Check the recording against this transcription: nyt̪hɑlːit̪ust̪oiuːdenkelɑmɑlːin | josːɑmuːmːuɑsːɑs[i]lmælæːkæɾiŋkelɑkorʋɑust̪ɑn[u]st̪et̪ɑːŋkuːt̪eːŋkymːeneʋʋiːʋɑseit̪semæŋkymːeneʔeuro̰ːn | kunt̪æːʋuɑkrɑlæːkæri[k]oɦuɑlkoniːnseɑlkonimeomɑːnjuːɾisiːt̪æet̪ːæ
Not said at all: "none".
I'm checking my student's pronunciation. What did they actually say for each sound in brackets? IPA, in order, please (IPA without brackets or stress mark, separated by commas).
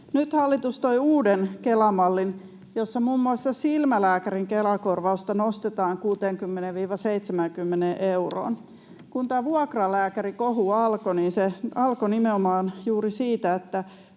i, o, k